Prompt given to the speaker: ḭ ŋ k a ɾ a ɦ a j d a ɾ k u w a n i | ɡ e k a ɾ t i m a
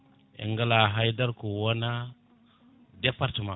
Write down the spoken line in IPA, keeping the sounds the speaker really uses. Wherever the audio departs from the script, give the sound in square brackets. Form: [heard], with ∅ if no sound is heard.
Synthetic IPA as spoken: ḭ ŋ [ɡ] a [l] a ɦ a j d a ɾ k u w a n [a] | [d] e [p] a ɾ t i m a